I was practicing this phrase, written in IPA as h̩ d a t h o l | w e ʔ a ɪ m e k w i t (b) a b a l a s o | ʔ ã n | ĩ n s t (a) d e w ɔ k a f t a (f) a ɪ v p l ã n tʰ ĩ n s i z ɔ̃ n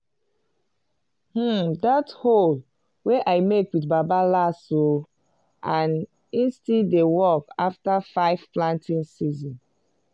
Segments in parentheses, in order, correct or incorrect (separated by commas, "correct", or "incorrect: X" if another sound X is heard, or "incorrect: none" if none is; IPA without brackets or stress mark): correct, incorrect: i, correct